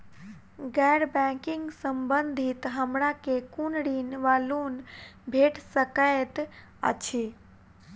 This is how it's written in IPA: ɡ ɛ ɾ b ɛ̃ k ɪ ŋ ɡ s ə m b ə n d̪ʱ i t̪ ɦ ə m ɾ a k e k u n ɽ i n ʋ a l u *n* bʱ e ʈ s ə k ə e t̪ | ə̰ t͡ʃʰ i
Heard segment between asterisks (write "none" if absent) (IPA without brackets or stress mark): n